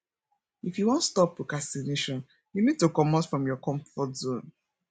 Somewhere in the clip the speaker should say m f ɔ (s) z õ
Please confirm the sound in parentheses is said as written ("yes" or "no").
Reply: no